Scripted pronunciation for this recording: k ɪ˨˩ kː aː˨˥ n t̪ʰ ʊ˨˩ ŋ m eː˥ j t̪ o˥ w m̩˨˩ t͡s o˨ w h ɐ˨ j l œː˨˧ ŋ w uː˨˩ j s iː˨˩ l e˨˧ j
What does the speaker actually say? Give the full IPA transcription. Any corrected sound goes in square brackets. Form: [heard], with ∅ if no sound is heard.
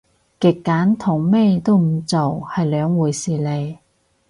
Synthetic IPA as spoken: k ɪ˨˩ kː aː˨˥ n t̪ʰ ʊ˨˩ ŋ m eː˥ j t̪ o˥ w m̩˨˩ t͡s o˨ w h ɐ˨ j l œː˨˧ ŋ w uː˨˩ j s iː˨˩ l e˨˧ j